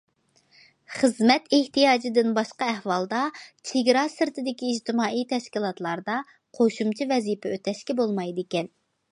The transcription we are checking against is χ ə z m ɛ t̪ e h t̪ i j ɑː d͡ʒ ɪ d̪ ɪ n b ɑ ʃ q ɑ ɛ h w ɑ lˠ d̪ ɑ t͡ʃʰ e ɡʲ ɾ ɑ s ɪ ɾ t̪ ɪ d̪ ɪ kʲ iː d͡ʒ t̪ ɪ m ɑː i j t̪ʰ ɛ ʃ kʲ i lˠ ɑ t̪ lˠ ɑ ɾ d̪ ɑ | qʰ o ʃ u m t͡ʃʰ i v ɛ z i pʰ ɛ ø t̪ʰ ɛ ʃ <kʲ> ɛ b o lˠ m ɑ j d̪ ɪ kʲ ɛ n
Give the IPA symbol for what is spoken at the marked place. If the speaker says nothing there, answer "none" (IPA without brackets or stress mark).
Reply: kʲ